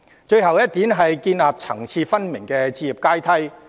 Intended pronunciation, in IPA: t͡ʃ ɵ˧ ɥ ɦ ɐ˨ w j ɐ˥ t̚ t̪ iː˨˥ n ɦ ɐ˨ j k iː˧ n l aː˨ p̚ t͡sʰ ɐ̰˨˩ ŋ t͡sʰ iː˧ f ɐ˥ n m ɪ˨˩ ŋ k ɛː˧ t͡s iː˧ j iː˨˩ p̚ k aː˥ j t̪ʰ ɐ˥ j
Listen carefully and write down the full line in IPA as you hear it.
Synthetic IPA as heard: t͡ʃ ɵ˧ ɥ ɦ ɐ˨ w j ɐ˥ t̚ t̪ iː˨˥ n ɦ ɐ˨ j k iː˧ n l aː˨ p̚ t͡sʰ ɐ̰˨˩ ŋ t͡sʰ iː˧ f ɐ˥ n m ɪ˨˩ ŋ k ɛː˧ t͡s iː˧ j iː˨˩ p̚ k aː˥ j t̪ʰ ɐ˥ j